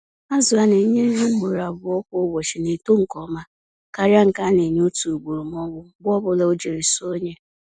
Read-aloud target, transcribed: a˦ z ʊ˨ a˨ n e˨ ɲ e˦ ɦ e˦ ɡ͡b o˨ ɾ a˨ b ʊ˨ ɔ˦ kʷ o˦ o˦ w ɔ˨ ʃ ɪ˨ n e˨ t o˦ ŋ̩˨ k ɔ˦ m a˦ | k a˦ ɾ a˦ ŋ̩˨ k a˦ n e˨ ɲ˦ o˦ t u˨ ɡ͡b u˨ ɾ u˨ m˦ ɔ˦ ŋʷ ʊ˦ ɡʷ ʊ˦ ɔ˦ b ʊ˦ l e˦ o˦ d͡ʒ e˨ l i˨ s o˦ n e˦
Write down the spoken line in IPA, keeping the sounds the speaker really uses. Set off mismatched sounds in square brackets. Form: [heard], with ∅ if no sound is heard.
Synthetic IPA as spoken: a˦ z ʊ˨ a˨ n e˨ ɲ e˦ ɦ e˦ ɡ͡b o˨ ɾ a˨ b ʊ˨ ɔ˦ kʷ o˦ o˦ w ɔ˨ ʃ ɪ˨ n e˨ t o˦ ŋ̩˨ k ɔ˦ m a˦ | k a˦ ɾ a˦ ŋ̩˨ k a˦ n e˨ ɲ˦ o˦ t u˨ ɡ͡b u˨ ɾ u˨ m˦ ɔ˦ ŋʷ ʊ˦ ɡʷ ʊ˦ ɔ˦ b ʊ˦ l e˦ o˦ d͡ʒ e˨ [ɾ] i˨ s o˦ [ɲ] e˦